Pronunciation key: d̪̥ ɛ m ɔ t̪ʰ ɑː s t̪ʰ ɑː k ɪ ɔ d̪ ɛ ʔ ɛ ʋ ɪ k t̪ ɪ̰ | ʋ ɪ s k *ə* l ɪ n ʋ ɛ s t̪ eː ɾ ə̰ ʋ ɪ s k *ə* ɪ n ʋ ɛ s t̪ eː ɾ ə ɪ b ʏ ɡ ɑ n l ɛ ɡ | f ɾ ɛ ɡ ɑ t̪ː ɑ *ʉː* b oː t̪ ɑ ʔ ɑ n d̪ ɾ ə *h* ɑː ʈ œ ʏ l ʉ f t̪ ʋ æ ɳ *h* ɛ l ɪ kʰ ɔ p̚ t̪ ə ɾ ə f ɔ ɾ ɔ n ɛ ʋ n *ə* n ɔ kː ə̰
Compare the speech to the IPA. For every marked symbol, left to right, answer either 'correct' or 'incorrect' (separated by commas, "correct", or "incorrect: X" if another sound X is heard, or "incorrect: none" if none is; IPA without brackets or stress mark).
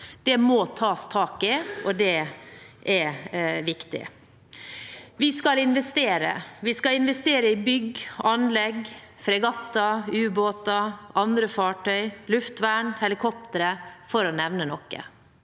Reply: incorrect: ɑ, incorrect: ɑ, correct, incorrect: f, correct, correct